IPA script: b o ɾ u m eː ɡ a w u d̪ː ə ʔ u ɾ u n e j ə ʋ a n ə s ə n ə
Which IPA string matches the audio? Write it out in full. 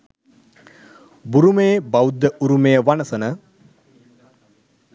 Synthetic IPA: b u ɾ u m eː b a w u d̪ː ə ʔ u ɾ u m e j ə ʋ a n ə s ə n ə